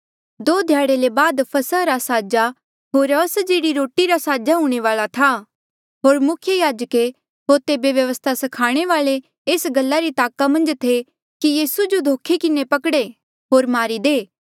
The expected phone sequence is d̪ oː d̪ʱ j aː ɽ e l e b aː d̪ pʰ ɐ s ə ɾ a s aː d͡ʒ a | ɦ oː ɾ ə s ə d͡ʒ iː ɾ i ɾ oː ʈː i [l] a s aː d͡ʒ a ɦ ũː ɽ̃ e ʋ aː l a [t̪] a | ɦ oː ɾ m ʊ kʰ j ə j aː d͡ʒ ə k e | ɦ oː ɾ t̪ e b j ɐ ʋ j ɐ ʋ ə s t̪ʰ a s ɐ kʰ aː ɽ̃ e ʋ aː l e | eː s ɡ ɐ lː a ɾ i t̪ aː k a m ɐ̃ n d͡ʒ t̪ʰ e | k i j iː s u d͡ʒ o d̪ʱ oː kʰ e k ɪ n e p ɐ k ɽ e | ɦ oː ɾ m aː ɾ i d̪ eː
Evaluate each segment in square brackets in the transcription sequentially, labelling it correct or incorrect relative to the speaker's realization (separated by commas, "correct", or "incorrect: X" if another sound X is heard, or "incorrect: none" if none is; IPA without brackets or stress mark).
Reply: incorrect: ɾ, incorrect: t̪ʰ